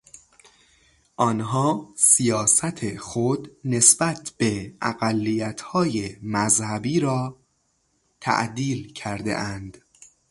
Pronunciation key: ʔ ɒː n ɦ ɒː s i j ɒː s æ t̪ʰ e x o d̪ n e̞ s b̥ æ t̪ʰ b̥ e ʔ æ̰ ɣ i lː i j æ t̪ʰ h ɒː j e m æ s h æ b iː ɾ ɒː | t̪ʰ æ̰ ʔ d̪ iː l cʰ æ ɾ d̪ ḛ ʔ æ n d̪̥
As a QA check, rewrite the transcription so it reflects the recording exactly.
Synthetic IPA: ʔ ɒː n ɦ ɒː s i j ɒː s æ t̪ʰ e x o d̪ n e̞ s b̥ æ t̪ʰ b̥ e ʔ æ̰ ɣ æ lː i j æ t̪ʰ h ɒː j e m æ z h æ b iː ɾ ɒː | t̪ʰ æ̰ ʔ d̪ iː l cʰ æ ɾ d̪ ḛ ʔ æ n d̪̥